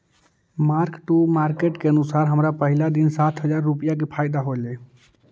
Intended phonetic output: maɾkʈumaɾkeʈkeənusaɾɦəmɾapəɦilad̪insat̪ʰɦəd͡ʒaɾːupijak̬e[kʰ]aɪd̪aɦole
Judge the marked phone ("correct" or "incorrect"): incorrect